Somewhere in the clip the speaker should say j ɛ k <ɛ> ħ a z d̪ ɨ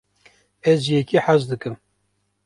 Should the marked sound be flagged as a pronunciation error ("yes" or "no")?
yes